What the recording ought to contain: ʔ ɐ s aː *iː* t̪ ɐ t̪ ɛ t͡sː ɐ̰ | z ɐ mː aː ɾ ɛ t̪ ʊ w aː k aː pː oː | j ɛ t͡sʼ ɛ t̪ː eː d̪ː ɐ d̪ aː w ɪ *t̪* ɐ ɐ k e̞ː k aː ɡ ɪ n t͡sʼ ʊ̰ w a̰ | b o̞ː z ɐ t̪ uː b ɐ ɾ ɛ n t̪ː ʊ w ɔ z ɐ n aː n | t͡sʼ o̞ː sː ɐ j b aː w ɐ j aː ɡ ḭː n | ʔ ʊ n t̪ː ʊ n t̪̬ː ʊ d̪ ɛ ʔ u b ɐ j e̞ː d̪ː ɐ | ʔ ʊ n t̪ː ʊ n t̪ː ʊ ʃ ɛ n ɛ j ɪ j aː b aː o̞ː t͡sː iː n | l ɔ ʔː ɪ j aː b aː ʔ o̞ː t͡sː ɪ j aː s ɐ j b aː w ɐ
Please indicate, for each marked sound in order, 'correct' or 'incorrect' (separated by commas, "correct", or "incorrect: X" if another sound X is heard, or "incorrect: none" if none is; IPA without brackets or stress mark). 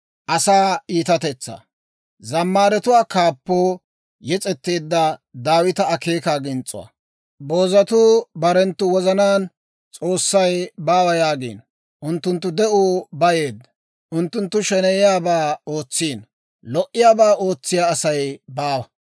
correct, correct